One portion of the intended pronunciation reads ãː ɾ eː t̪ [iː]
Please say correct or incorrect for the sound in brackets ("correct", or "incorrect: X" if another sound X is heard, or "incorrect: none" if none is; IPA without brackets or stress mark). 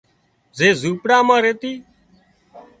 correct